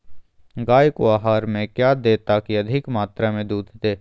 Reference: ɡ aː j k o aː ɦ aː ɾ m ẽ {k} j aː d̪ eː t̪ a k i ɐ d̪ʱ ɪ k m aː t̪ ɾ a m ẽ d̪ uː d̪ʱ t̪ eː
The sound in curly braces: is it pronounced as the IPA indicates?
yes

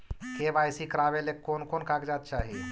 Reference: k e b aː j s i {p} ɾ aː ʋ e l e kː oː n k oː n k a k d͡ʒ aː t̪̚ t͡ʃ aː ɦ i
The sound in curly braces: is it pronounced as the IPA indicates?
no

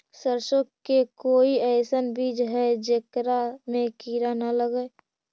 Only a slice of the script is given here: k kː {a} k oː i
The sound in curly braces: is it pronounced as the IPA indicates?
no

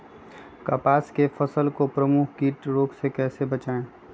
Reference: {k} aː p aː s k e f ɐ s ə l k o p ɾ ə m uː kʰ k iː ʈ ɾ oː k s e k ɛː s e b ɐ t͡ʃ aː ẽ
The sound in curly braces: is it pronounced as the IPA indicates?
yes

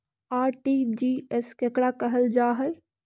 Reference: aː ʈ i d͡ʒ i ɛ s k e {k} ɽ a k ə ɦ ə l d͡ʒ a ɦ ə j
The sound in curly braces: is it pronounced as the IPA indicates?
yes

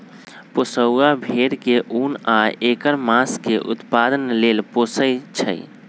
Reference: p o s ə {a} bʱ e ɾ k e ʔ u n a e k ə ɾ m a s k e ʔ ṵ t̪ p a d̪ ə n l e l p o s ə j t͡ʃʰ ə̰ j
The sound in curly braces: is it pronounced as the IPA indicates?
yes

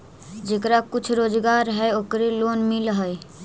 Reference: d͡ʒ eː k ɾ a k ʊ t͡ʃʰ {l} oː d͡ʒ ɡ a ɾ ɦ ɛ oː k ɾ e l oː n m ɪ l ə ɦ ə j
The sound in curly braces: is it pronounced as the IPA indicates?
no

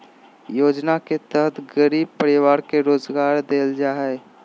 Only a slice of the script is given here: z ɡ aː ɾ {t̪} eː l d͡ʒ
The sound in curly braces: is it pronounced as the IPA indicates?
no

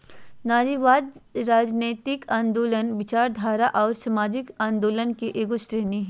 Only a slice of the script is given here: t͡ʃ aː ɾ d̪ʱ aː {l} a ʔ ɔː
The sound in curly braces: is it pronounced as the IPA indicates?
no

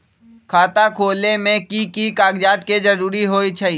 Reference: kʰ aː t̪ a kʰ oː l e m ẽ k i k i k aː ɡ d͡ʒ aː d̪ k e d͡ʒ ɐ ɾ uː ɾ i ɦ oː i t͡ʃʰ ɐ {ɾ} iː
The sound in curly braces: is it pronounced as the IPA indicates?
no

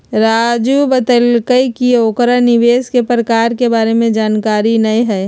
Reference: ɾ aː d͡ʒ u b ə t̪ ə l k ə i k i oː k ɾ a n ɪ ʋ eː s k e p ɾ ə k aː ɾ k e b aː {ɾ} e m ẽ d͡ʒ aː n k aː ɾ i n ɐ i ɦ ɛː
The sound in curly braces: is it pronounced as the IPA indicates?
yes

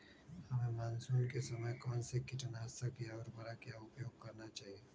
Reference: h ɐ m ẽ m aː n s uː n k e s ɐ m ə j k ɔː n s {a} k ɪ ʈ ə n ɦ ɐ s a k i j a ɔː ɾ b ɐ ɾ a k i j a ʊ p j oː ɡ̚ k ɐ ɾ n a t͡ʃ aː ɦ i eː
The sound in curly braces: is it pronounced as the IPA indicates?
no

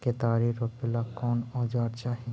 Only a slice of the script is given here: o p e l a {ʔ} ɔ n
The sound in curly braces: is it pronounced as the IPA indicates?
no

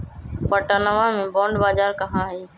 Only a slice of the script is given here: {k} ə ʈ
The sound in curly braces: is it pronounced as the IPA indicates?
no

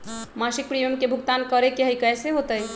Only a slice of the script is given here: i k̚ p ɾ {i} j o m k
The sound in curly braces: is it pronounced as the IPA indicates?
yes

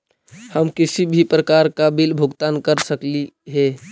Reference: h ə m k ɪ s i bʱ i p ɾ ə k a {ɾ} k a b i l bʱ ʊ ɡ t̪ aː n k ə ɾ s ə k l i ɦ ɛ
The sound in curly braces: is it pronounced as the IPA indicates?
yes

